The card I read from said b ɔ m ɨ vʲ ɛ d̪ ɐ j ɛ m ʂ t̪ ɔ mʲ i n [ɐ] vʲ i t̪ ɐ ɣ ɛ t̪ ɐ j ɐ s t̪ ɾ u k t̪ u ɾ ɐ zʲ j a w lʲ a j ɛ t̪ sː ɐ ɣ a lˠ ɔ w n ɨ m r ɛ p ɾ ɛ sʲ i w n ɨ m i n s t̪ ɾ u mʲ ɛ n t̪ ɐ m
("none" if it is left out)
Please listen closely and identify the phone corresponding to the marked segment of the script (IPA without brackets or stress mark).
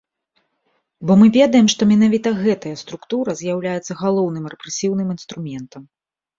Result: a